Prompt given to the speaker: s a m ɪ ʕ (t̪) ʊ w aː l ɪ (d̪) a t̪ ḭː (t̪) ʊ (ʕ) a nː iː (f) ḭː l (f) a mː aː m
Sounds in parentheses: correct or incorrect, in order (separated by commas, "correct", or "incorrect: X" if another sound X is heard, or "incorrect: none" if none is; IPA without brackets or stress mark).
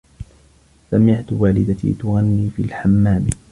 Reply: correct, correct, correct, incorrect: ɣ, correct, incorrect: ħ